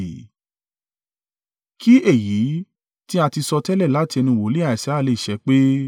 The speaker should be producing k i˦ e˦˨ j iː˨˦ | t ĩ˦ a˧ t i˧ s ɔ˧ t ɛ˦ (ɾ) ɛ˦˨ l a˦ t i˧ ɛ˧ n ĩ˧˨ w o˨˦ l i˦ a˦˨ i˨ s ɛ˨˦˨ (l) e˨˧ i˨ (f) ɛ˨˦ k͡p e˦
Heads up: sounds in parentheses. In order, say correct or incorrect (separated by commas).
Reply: incorrect, correct, incorrect